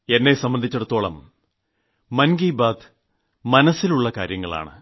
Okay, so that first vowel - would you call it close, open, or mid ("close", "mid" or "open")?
mid